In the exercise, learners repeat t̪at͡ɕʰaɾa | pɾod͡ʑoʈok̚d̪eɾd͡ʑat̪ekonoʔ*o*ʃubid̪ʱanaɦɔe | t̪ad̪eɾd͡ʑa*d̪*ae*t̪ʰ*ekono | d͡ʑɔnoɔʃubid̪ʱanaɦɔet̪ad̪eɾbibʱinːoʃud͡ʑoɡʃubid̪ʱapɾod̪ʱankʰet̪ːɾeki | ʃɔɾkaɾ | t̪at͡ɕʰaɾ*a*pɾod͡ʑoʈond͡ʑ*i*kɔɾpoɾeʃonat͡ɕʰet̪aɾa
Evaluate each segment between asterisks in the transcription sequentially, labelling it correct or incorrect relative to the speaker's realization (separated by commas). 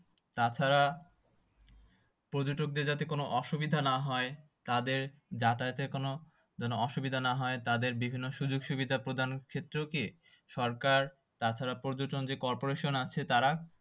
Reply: incorrect, incorrect, incorrect, correct, incorrect